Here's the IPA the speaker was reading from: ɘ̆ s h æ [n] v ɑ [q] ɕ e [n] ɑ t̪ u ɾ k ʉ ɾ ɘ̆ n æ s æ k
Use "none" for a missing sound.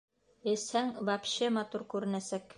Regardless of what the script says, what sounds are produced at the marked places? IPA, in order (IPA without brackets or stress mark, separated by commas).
ŋ, p, m